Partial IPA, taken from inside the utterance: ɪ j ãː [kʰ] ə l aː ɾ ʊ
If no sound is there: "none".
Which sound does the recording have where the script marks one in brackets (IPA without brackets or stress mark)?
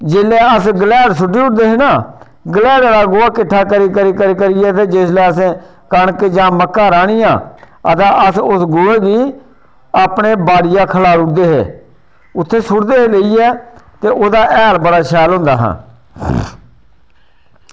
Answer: kʰ